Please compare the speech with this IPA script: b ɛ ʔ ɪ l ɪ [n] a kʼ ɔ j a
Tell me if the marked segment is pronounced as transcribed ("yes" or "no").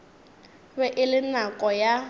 yes